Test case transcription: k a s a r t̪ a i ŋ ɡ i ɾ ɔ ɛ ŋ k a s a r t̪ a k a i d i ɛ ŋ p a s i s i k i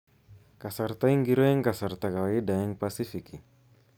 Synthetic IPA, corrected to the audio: k a s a r t̪ a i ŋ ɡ i ɾ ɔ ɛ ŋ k a s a r t̪ a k a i d a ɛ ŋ p a s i f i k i